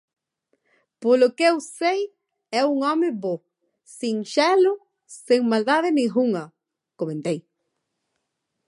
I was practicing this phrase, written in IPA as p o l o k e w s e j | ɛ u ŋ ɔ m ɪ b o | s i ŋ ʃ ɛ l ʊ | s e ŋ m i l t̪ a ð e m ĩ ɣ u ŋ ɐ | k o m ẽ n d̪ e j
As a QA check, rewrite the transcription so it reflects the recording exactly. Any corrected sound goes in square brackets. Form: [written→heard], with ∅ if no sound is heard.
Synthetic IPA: p o l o k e w s e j | ɛ u ŋ ɔ m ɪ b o | s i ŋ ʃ ɛ l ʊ | s e ŋ m [i→a] l [t̪→d̪] a ð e [m→n] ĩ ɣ u ŋ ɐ | k o m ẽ n [d̪→t̪] e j